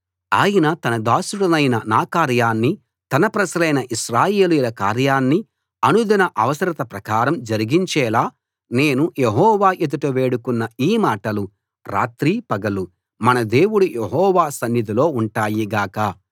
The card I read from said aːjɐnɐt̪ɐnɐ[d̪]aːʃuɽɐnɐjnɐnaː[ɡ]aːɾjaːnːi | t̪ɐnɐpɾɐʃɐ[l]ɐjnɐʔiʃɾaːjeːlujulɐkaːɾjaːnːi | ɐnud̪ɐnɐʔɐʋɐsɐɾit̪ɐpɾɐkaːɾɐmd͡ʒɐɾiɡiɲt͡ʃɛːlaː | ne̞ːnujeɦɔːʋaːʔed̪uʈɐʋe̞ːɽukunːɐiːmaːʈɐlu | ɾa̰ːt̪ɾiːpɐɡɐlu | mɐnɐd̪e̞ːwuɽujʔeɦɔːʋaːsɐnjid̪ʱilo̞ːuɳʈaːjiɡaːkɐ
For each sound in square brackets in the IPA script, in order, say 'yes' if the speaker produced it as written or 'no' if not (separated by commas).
yes, no, yes